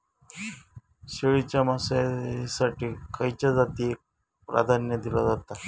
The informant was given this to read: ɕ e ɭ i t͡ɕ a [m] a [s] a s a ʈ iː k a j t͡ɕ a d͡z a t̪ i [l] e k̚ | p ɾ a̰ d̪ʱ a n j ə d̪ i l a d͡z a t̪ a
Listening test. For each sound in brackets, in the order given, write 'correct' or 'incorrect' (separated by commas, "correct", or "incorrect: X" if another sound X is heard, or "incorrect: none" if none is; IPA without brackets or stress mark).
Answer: correct, correct, incorrect: none